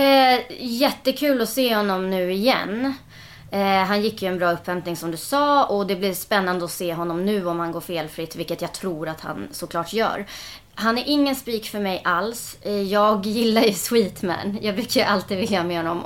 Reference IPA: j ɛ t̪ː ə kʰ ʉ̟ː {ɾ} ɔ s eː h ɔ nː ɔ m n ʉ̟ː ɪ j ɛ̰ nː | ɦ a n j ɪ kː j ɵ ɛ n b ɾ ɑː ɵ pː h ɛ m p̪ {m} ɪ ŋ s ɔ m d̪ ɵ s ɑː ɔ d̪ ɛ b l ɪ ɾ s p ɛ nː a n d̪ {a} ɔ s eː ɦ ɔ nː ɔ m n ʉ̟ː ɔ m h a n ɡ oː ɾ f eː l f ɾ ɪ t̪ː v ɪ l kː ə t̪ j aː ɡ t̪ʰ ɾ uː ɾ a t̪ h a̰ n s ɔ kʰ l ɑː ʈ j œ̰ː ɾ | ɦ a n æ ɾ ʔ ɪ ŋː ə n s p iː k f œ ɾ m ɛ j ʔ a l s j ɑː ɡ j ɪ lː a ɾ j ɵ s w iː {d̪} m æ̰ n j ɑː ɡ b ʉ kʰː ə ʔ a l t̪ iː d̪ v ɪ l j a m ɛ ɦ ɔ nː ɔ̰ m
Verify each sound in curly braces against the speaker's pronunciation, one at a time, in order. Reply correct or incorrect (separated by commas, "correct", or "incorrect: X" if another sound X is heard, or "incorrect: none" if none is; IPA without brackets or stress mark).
incorrect: l, incorrect: n, incorrect: ə, incorrect: t̪